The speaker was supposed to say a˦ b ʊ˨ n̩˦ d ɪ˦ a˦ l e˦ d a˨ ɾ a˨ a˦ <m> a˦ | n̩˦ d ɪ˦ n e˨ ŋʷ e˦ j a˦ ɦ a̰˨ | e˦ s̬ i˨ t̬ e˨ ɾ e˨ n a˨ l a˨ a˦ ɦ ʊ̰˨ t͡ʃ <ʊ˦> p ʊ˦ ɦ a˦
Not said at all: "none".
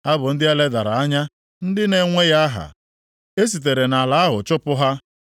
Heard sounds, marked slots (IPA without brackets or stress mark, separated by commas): ɲ, ʊ˦